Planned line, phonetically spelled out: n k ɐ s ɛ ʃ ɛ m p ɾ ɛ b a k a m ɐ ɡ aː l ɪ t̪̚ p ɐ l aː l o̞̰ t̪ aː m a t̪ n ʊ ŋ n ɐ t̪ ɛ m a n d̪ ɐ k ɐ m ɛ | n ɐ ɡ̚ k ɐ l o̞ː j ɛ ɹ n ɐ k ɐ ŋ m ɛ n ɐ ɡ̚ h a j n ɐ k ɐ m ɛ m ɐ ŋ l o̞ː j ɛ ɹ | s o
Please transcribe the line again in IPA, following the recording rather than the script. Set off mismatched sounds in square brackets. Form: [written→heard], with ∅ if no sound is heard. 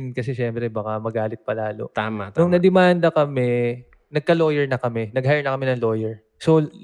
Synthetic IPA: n k ɐ s ɛ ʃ ɛ m p ɾ ɛ b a k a m ɐ ɡ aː l ɪ t̪̚ p ɐ l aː l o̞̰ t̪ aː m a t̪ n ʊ ŋ n ɐ [t̪→d̪] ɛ m a n d̪ ɐ k ɐ m ɛ | n ɐ ɡ̚ k ɐ l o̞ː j ɛ ɹ n ɐ k ɐ [ŋ→∅] m ɛ n ɐ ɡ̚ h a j n ɐ k ɐ m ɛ [m→n] ɐ ŋ l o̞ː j ɛ ɹ | s o